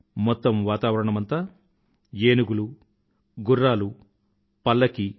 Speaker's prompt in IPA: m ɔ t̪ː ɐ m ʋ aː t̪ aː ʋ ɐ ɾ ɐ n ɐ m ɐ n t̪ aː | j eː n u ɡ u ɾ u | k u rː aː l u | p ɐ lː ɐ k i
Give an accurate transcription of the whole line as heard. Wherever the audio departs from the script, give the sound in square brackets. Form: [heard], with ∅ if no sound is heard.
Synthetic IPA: m ɔ t̪ː ɐ m ʋ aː t̪ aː ʋ ɐ ɾ ɐ [ɳ] ɐ m ɐ n t̪ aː | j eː n u ɡ u [l] u | [ɡ] u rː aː l u | p ɐ lː ɐ k i